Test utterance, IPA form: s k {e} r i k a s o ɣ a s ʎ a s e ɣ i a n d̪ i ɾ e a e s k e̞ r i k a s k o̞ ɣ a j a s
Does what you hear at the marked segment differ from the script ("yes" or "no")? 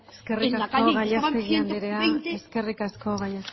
no